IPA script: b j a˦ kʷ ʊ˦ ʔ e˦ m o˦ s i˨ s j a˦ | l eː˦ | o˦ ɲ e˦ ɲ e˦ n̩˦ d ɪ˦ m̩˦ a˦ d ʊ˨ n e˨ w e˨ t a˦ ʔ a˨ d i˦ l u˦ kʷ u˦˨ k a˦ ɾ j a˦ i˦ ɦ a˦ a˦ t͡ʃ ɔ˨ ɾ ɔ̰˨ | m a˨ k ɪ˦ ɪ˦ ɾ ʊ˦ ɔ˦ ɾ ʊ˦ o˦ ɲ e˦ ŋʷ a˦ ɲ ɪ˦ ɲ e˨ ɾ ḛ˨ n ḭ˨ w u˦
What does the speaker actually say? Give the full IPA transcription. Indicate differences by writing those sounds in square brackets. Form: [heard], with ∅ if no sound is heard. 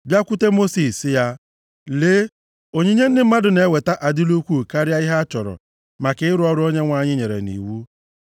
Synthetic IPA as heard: b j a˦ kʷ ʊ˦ [t] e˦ m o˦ s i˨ s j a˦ | l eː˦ | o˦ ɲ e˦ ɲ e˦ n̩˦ d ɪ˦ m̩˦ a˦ d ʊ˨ n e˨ w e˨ t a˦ ʔ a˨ d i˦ l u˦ kʷ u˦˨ k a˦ ɾ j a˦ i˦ ɦ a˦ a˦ t͡ʃ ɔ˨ ɾ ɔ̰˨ | m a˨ k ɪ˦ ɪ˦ ɾ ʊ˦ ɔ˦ ɾ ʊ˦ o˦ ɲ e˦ ŋʷ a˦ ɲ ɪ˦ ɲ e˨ ɾ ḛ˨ n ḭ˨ w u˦